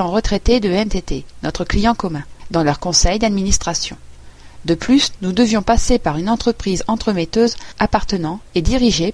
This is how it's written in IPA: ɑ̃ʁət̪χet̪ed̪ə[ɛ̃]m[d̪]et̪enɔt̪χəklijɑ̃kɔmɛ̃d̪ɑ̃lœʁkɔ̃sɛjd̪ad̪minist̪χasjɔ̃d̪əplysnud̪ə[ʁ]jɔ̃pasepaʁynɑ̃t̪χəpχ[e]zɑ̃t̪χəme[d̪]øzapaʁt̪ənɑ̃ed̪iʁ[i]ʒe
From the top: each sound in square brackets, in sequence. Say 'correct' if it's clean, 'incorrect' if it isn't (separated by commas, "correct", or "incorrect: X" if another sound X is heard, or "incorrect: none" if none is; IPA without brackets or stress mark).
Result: incorrect: ɛ, incorrect: t̪, incorrect: v, incorrect: i, incorrect: t̪, correct